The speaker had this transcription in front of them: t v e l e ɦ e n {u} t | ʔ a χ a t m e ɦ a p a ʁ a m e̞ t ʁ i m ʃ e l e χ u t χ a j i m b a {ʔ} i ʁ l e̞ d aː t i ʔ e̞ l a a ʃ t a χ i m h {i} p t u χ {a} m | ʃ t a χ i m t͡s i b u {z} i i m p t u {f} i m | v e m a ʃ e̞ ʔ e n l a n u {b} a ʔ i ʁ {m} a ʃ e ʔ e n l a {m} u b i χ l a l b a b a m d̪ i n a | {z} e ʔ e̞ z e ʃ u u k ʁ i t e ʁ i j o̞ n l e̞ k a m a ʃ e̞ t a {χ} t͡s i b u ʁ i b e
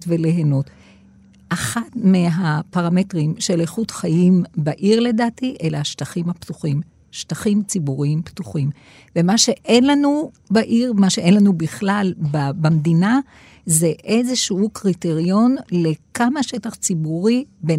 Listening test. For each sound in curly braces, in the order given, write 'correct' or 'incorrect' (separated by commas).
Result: incorrect, correct, incorrect, incorrect, incorrect, incorrect, correct, correct, incorrect, correct, correct